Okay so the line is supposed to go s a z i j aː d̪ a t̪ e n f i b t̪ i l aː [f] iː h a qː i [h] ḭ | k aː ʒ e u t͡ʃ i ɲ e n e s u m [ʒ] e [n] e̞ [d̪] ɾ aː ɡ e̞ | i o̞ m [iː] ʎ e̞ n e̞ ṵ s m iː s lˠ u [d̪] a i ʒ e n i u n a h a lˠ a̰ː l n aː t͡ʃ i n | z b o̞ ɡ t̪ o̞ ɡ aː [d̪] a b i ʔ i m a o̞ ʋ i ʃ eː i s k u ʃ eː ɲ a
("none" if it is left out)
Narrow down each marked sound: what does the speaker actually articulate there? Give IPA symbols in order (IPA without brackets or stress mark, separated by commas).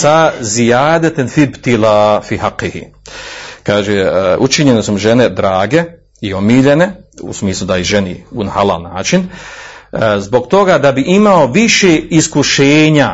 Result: f, h, ʒ, n, d̪, iː, d̪, d̪